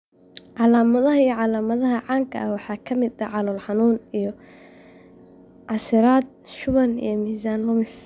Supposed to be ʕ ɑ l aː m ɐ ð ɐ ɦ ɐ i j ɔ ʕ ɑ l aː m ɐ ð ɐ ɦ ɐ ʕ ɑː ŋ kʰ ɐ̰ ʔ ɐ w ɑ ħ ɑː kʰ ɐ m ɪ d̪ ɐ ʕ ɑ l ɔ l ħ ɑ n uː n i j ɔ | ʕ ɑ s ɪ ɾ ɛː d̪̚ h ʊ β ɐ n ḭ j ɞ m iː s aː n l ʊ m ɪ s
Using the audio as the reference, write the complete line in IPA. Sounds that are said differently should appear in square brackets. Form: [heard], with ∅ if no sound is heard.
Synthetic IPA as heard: ʕ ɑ l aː m ɐ ð ɐ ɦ ɐ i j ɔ ʕ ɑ l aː m ɐ ð ɐ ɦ ɐ ʕ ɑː ŋ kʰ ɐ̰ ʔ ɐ w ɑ ħ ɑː kʰ ɐ m ɪ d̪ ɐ ʕ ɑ l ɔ l ħ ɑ n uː n i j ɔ | ʕ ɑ s ɪ ɾ [aː] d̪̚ [ʃ] ʊ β ɐ n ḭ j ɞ m iː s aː n l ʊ m ɪ s